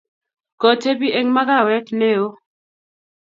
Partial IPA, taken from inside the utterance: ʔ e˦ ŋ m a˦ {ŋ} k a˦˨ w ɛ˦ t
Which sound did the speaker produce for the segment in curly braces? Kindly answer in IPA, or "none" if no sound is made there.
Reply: none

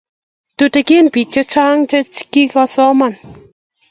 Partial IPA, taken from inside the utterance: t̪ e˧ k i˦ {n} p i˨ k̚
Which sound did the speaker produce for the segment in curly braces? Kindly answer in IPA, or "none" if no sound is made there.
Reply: n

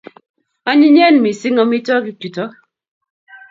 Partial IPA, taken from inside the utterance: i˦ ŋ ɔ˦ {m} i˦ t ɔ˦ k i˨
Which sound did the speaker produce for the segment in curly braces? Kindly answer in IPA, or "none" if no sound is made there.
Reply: m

